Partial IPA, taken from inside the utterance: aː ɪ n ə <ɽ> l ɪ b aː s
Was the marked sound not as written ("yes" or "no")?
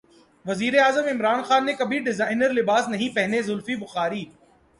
yes